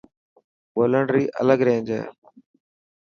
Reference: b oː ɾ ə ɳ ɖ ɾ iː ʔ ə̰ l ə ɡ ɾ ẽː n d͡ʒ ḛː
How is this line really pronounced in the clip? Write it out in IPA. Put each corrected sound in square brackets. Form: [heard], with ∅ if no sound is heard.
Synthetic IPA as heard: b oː [l] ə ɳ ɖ ɾ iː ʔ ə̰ l ə ɡ ɾ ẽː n d͡ʒ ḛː